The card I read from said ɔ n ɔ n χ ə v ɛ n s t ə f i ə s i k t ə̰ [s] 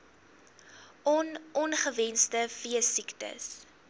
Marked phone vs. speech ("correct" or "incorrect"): correct